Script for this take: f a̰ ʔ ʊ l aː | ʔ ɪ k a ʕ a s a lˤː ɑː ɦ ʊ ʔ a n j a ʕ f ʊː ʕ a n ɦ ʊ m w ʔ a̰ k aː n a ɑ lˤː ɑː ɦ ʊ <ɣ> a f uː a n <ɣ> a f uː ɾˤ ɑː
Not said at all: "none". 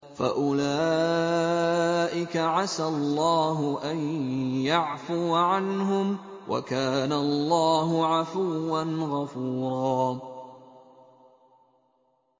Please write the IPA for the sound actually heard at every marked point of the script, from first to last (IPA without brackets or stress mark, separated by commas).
ʕ, ɣ